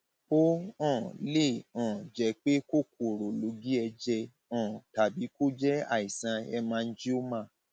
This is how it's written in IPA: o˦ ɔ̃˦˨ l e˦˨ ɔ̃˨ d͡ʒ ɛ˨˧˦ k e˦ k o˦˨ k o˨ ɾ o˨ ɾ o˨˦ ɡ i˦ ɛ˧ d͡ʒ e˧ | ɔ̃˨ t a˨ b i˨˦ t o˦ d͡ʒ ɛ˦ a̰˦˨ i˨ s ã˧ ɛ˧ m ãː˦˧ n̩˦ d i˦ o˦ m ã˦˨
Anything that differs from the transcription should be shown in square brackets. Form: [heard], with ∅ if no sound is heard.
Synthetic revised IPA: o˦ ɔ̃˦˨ l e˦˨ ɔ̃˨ d͡ʒ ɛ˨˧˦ [k͡p] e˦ k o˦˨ k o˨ ɾ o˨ [l] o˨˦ ɡ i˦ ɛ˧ d͡ʒ [ɛ˧] | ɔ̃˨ t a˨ b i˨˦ [k] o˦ d͡ʒ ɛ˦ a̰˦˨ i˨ s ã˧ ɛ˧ m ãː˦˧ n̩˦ [d͡ʒ] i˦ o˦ m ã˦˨